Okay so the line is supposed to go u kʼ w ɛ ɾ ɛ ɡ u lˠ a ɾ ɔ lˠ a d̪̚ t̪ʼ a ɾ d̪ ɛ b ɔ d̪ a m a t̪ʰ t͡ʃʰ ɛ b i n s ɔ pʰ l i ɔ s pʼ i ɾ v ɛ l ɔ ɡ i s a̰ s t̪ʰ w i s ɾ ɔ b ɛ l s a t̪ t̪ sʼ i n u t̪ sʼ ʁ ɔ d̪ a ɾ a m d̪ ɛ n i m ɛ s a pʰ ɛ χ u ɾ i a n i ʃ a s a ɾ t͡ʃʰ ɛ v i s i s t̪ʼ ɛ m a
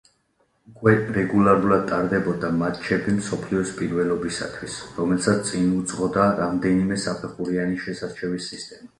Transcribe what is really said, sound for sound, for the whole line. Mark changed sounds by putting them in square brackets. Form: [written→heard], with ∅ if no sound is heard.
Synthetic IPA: u kʼ w ɛ ɾ ɛ ɡ u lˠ a ɾ [ɔ→u] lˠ a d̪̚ t̪ʼ a ɾ d̪ ɛ b ɔ d̪ a m a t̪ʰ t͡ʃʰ ɛ b i [n→m] s ɔ pʰ l i ɔ s pʼ i ɾ v ɛ l ɔ [ɡ→b] i s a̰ [s→∅] t̪ʰ w i s ɾ ɔ [b→m] ɛ l s a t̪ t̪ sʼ i n u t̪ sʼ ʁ ɔ d̪ a ɾ a m d̪ ɛ n i m ɛ s a pʰ ɛ χ u ɾ i a n i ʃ [a→ɛ] s a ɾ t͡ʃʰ ɛ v i s i s t̪ʼ ɛ m a